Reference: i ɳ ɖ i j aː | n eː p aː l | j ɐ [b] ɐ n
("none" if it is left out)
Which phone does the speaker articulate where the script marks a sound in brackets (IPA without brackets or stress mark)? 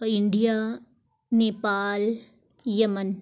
m